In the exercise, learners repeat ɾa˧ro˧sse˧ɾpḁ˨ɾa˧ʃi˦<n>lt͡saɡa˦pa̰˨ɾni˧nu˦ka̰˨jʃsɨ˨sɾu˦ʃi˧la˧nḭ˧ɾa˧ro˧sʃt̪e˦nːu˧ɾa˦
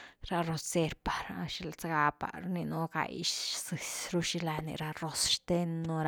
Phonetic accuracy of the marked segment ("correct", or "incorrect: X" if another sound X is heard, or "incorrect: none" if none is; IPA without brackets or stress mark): incorrect: none